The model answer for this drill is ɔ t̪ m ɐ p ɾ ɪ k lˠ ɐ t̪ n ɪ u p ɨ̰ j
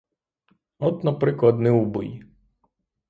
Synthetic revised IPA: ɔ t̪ n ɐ p ɾ ɪ k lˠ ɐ d̪ n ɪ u b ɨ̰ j